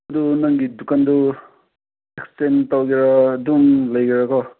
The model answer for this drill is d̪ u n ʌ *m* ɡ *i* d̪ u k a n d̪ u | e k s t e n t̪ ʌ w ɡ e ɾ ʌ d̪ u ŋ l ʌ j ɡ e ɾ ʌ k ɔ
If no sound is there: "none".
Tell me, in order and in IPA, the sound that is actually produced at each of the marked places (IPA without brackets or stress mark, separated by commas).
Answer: ŋ, i